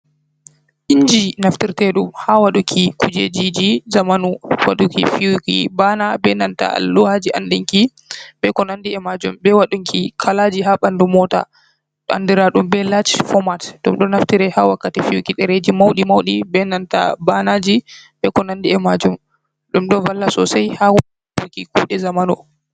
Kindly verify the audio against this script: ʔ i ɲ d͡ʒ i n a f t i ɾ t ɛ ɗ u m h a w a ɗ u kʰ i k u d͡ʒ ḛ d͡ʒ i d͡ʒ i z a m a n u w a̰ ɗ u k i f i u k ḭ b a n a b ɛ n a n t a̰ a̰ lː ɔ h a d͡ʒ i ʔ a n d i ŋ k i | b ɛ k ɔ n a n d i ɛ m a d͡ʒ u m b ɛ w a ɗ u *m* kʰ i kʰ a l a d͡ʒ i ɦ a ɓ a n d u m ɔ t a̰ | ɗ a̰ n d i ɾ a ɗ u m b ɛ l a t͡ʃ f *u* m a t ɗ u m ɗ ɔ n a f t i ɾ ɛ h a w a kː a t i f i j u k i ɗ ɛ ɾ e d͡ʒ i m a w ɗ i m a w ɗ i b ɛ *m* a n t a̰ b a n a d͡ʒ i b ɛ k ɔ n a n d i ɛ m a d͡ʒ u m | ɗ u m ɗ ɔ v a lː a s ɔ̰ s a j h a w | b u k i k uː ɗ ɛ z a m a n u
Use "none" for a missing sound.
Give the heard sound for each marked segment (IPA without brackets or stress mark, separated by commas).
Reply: ŋ, ɔ, n